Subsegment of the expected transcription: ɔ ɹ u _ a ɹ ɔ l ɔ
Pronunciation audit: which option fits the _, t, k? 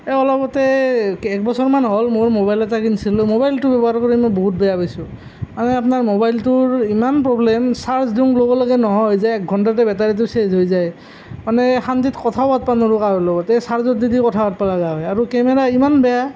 k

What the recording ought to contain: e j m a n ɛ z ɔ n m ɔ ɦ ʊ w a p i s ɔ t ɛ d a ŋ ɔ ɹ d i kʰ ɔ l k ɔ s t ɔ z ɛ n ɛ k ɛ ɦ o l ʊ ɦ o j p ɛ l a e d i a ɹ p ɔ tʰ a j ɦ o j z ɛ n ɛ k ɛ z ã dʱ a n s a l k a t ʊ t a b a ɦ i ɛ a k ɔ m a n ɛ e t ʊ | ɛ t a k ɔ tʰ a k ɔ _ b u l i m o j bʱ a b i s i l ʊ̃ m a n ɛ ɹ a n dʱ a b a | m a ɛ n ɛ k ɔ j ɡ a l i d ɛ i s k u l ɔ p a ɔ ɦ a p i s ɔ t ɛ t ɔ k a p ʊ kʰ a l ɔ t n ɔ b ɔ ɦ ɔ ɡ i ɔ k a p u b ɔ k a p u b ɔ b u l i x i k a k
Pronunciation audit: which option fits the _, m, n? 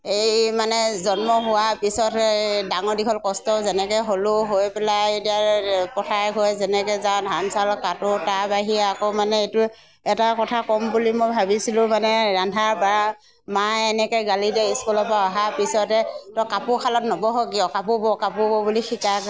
m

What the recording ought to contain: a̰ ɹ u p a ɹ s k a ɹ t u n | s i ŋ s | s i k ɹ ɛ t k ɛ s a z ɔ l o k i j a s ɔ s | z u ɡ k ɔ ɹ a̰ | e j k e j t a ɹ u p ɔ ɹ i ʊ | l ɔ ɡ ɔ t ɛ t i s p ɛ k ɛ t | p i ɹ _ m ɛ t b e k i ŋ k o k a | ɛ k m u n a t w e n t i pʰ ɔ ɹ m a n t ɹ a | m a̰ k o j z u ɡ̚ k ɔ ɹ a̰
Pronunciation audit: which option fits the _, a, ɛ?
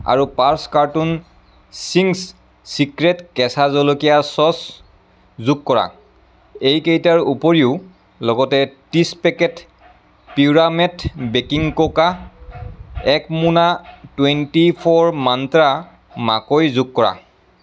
a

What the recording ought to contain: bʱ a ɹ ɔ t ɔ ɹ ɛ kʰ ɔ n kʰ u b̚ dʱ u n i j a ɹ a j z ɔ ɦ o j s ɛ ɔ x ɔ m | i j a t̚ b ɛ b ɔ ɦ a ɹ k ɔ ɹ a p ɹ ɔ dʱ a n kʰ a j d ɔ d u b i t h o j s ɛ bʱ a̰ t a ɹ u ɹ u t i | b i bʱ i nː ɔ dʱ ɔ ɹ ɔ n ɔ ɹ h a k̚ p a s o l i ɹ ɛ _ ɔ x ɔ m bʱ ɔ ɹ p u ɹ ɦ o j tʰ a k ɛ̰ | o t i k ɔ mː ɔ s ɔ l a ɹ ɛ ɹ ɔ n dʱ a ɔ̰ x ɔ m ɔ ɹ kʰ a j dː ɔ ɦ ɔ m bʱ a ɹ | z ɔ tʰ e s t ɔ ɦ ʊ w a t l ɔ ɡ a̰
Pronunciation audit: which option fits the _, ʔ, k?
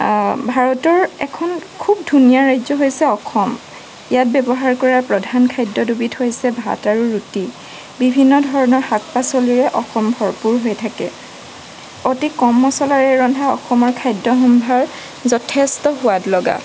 ʔ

